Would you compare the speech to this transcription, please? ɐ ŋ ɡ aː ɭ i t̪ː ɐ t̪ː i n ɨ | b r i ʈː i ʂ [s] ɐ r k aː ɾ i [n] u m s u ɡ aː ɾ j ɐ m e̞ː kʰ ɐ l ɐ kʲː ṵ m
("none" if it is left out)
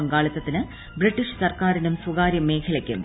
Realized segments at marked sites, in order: s, n

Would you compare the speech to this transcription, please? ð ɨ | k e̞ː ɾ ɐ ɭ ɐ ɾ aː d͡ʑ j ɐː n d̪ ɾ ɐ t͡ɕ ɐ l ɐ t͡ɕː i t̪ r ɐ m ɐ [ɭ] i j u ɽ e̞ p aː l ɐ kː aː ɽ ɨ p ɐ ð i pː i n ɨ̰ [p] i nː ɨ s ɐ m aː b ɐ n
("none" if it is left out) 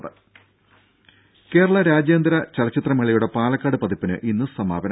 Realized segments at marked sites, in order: ɭ, ʔ

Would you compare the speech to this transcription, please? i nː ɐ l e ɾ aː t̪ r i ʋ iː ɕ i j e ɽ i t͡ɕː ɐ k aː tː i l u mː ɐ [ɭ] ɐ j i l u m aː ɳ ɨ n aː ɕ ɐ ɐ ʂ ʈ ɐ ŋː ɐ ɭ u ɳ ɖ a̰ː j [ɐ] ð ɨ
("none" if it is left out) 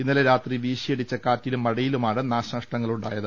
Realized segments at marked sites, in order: ɽ, ɐ

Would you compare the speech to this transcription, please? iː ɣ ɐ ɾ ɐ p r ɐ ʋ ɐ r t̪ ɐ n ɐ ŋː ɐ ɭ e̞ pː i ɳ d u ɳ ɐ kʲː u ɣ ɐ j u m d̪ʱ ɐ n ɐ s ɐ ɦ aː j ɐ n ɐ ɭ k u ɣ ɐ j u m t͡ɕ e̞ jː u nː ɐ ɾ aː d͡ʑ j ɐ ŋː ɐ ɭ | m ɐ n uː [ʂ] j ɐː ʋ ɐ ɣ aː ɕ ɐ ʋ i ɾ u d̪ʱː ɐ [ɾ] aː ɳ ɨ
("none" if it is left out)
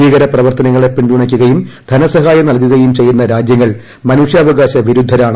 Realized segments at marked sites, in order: ʂ, ɾ

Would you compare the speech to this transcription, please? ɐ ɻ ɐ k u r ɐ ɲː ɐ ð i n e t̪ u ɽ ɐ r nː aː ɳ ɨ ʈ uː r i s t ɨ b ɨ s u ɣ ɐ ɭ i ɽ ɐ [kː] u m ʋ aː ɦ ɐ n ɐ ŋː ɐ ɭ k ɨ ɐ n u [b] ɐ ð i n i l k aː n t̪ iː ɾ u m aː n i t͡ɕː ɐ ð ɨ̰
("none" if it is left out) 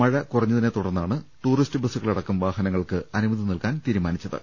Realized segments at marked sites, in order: kː, m

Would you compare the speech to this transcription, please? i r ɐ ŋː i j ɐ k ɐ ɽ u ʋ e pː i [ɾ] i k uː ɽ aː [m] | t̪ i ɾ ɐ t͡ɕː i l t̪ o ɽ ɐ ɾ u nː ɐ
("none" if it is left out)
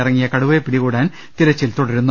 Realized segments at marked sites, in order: ɽ, n

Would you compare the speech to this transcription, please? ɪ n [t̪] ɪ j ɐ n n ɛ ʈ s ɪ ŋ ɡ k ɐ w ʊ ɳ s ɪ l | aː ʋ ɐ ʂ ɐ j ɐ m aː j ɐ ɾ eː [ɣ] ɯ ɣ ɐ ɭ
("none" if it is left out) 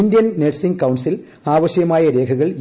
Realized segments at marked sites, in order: d̪, ɣ

